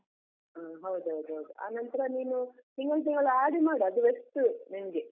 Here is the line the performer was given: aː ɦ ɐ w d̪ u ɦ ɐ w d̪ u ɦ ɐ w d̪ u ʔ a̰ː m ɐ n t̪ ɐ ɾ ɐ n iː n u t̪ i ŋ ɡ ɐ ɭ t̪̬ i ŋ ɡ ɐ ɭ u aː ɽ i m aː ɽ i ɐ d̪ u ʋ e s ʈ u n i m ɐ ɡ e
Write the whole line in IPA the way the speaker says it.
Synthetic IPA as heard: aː ɦ ɐ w d̪ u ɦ ɐ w d̪ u ɦ ɐ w d̪ u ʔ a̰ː n ɐ n t̪ ɐ ɾ ɐ n iː n u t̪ i ŋ ɡ ɐ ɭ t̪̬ i ŋ ɡ ɐ ɭ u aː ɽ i m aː ɽ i ɐ d̪ u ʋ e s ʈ u n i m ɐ ɡ e